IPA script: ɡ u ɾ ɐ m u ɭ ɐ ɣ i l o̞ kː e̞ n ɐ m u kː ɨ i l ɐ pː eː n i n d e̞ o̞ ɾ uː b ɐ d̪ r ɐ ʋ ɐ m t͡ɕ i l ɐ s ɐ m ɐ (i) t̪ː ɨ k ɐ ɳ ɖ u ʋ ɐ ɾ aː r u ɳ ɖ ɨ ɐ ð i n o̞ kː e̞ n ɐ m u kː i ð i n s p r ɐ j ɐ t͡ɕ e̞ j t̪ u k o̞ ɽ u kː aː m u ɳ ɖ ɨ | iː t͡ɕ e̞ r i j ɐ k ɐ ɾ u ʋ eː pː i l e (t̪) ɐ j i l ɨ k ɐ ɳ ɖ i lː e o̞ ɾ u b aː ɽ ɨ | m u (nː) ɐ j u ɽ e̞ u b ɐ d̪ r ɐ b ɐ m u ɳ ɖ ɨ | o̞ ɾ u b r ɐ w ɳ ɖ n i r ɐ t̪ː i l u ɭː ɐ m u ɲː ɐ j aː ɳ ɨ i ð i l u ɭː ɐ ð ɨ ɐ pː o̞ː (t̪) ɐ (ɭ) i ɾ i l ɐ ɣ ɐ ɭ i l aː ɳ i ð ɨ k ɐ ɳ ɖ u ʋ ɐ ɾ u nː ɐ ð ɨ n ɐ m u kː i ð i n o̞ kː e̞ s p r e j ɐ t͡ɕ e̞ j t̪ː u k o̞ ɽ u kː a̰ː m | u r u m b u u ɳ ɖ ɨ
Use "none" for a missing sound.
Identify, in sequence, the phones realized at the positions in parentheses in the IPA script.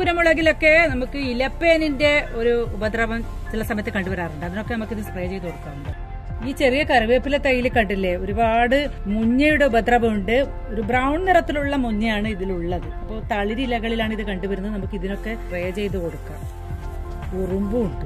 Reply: j, t̪, ɲː, t̪, ɭ

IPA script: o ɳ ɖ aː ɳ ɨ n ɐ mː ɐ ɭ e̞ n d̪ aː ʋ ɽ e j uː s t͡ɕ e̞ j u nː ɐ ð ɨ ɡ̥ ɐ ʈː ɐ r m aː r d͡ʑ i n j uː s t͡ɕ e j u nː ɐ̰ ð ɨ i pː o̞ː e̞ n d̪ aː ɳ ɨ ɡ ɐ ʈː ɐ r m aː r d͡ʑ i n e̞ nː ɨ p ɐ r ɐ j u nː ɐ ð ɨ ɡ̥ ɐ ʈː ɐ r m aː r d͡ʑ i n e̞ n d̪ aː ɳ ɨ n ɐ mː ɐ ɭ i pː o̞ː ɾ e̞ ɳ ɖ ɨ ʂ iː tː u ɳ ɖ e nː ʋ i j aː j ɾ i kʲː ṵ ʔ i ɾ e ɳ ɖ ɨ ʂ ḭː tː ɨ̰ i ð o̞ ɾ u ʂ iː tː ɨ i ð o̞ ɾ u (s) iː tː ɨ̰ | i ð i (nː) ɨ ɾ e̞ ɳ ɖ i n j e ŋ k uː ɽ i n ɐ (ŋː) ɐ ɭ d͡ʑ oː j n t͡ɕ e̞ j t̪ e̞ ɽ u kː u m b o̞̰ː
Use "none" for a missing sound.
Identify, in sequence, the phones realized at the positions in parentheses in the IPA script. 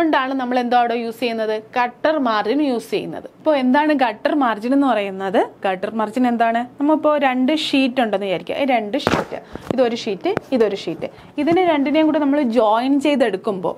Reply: ʂ, n, mː

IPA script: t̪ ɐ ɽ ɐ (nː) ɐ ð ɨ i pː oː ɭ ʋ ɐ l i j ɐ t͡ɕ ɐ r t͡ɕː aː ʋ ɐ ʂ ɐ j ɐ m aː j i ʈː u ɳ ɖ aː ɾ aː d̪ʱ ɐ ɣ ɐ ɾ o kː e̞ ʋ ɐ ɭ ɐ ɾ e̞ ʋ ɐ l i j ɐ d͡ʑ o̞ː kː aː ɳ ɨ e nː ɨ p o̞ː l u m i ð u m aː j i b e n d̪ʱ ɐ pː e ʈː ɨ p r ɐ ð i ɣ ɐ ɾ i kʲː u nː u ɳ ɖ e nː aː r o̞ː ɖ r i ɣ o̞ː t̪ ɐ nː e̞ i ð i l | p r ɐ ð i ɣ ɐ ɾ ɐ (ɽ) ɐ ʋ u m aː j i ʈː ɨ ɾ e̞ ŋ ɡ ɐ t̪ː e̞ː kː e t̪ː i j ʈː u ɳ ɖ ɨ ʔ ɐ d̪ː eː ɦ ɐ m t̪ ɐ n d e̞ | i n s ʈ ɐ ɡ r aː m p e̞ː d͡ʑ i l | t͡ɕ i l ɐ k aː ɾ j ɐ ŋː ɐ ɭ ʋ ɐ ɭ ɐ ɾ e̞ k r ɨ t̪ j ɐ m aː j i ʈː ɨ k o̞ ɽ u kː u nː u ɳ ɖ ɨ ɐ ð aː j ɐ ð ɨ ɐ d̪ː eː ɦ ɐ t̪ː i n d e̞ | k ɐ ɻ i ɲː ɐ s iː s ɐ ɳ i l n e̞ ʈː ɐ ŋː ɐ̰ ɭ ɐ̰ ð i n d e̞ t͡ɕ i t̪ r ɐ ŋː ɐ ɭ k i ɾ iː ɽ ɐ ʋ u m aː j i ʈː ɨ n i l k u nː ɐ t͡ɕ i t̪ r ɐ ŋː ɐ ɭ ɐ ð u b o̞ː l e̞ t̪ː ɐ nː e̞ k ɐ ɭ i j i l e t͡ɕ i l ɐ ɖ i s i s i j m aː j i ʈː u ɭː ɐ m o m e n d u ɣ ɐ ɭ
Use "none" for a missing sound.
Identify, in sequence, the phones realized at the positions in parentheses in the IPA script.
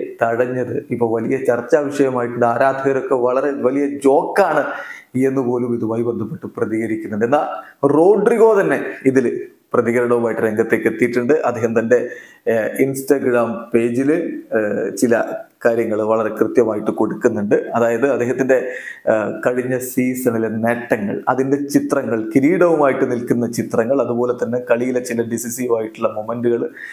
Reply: ɲː, ɽ

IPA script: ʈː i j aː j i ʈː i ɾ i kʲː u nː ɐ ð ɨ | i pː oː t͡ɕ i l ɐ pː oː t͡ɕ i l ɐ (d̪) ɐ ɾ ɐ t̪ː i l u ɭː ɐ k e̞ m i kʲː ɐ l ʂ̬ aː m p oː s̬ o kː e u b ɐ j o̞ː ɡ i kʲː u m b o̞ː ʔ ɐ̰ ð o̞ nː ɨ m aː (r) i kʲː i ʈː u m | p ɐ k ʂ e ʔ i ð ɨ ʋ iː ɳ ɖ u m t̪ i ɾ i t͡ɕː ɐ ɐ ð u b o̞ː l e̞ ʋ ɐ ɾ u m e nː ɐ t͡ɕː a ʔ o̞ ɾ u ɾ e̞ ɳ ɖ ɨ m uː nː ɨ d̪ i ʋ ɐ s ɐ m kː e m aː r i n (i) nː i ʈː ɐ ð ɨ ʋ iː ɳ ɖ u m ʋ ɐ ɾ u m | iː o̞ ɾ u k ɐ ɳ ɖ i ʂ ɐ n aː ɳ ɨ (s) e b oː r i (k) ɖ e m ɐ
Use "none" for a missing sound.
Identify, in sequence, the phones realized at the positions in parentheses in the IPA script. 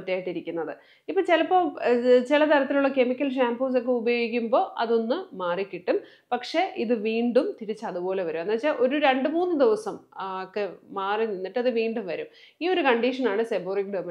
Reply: t̪, r, i, s, k

